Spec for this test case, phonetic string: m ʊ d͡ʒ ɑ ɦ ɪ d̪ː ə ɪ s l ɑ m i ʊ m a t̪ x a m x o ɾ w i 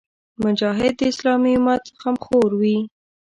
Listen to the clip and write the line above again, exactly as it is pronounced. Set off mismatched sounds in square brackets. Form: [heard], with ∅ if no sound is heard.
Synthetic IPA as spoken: m ʊ d͡ʒ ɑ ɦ ɪ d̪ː ə ɪ s l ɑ m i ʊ m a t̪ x a m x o ɾ w i